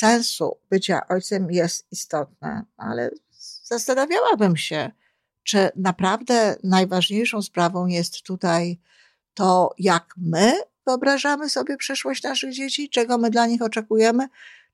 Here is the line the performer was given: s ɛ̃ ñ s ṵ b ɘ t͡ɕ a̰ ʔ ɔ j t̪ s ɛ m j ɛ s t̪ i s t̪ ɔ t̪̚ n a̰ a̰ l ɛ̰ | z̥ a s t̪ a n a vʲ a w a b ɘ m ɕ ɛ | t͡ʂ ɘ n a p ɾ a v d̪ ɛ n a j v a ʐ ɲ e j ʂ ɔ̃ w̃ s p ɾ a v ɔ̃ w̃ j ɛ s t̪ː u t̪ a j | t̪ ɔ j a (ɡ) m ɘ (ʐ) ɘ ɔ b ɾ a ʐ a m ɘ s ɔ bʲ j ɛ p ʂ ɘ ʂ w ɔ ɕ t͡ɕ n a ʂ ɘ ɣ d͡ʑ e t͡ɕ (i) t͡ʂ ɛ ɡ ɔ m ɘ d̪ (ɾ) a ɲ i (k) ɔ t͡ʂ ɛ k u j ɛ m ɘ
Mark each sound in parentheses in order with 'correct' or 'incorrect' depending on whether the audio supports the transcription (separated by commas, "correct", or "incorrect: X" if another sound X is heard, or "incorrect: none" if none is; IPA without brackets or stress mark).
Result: incorrect: k, incorrect: v, correct, incorrect: l, incorrect: x